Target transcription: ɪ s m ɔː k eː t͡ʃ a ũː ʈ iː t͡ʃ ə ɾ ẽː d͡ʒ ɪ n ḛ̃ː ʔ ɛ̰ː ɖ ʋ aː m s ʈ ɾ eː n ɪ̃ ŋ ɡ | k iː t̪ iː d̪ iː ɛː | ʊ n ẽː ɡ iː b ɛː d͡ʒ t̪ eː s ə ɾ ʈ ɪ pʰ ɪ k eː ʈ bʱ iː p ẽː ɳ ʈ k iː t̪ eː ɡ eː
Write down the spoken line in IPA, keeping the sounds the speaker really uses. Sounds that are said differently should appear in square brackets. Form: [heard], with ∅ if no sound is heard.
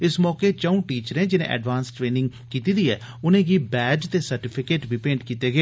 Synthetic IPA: ɪ s m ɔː k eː t͡ʃ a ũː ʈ iː t͡ʃ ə ɾ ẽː d͡ʒ ɪ n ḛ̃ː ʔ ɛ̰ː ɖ ʋ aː [n] s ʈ ɾ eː n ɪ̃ ŋ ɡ | k iː t̪ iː d̪ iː ɛː | ʊ n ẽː ɡ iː b ɛː d͡ʒ t̪ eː s ə ɾ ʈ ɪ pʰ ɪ k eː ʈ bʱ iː p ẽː ɳ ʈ k iː t̪ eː ɡ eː